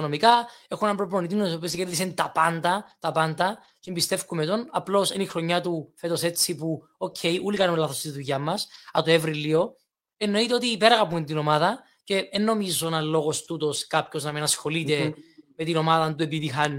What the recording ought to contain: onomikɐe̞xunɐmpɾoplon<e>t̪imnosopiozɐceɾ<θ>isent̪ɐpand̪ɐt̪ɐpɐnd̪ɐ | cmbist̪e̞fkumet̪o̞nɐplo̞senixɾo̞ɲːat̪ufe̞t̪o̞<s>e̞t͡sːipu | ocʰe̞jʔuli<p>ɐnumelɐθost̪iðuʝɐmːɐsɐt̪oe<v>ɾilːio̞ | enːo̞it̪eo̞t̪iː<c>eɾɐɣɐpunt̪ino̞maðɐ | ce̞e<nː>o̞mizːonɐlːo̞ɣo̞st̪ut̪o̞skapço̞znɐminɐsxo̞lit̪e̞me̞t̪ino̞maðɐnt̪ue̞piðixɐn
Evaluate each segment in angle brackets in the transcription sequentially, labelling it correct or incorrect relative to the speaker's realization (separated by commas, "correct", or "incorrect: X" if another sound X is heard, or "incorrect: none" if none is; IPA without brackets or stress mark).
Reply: incorrect: i, incorrect: ð, correct, incorrect: k, correct, incorrect: p, correct